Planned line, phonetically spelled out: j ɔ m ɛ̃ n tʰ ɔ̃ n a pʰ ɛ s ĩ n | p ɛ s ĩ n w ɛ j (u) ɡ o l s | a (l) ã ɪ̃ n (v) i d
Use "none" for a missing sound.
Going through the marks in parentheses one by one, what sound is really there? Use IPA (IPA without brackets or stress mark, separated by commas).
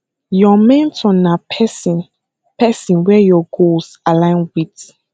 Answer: ɔ, l, w